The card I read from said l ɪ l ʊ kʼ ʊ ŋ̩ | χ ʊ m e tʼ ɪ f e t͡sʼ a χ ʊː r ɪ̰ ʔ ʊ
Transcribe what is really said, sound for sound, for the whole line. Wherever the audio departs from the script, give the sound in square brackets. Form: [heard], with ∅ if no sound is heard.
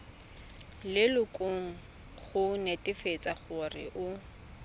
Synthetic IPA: l ɪ l ʊ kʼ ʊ ŋ̩ | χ ʊ [n] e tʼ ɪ f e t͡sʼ a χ [ʊ] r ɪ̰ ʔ ʊ